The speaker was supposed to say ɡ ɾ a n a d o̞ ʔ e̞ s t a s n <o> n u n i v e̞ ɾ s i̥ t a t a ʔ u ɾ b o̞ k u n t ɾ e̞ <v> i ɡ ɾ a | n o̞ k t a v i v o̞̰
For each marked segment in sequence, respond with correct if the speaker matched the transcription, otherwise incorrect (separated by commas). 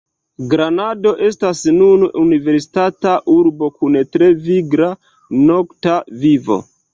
incorrect, correct